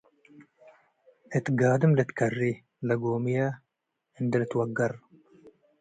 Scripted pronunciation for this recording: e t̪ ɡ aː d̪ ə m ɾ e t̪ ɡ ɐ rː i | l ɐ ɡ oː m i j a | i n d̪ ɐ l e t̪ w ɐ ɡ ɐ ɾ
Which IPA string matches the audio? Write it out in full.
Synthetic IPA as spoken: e t̪ ɡ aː d̪ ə m l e t̪ k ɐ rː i | l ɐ ɡ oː m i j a | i n d̪ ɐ l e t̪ w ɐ ɡ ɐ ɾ